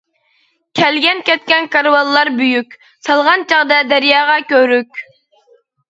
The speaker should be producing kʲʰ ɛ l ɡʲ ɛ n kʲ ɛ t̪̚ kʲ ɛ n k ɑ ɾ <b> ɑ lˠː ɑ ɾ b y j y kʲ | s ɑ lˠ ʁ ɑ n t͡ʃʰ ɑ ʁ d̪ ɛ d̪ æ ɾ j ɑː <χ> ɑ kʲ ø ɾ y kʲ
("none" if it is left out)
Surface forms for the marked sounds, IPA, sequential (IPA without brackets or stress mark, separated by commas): w, ʁ